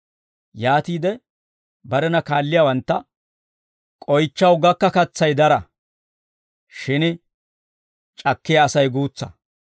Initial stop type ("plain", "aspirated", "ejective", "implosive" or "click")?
plain